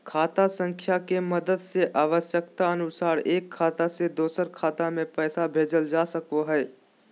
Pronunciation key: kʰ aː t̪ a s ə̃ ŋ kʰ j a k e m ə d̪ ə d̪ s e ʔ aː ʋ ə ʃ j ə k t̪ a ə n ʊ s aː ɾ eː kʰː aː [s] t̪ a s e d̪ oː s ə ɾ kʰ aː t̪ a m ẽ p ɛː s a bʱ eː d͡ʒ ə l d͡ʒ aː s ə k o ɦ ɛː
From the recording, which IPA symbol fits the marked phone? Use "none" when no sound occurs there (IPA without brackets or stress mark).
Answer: none